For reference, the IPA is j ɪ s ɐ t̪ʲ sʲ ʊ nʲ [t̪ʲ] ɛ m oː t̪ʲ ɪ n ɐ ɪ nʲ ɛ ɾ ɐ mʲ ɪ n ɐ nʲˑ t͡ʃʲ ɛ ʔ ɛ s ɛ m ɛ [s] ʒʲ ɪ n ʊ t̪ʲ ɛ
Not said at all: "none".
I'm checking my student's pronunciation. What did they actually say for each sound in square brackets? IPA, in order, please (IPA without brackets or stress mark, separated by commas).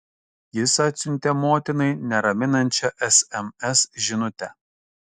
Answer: t̪ʲ, s